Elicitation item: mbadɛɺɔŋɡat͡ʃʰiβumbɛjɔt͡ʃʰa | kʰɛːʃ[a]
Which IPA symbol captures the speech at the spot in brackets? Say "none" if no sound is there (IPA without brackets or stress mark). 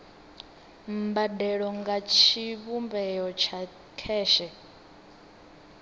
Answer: ɛ